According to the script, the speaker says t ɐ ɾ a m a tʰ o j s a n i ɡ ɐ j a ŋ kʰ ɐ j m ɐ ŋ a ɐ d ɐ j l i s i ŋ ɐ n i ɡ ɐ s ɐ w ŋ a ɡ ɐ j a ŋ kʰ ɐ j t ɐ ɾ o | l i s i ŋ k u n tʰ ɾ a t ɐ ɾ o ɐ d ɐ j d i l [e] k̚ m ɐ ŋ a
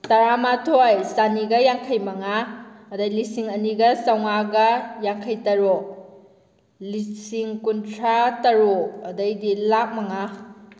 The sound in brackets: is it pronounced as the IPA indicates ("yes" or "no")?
no